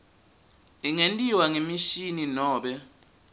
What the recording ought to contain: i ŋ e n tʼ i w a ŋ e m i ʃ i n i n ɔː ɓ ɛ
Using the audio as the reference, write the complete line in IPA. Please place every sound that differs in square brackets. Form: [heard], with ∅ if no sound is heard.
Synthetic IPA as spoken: i ŋ e n tʼ i w a ŋ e m i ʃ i n i n ɔː ɓ ɛ

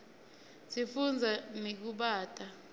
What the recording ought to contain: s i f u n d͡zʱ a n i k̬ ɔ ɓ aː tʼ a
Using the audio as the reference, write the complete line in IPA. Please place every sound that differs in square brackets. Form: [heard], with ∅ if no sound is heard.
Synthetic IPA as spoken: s i f u n d͡zʱ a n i k̬ [u] ɓ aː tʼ a

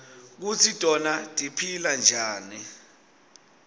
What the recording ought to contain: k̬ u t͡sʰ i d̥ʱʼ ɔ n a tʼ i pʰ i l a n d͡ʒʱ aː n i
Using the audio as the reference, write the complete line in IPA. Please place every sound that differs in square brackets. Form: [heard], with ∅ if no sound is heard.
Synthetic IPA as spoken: k̬ u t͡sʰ i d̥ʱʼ ɔ n a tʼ i pʰ i l a n d͡ʒʱ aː n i

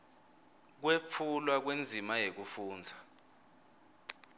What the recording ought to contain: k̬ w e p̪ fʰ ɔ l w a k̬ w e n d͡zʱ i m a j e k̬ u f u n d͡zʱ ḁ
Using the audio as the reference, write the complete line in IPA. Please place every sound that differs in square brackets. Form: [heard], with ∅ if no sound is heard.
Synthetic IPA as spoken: k̬ w e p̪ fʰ [u] l w a k̬ w e n d͡zʱ i m a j e k̬ u f [uː] n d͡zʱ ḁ

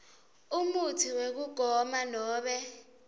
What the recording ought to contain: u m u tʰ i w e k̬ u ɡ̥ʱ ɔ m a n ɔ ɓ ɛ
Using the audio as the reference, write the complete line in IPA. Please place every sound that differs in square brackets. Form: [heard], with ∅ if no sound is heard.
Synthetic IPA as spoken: u m u tʰ i w e k̬ u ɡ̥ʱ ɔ m a n [ɔː] ɓ ɛ

